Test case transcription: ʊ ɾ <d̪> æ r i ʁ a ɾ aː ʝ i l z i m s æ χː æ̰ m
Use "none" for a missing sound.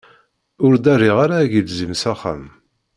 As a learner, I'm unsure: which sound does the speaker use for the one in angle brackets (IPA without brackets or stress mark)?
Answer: d̪